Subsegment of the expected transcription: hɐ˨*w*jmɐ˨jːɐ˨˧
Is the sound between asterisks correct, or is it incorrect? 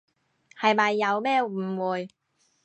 incorrect